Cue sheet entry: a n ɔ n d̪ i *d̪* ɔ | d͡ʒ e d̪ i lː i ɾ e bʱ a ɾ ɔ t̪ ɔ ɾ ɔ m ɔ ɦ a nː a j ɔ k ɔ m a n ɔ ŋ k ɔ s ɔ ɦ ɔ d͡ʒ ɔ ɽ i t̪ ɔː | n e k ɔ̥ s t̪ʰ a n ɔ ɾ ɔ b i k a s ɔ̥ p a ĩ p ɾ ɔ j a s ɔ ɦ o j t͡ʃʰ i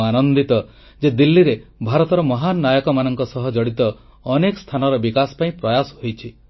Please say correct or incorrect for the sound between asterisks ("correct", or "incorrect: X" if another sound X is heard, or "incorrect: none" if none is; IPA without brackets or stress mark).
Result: incorrect: t̪